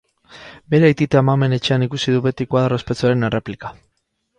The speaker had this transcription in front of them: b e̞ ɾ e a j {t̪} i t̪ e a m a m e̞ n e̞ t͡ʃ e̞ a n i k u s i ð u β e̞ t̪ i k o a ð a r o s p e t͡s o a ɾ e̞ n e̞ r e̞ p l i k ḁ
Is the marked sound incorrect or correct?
correct